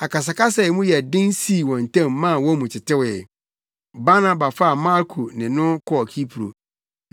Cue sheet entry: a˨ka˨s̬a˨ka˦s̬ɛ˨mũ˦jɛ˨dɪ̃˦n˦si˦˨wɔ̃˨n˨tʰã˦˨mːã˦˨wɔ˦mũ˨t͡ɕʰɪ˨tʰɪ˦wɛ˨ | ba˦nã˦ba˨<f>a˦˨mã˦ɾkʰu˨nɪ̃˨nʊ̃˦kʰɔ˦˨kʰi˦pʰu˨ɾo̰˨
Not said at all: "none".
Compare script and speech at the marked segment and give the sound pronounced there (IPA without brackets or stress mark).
f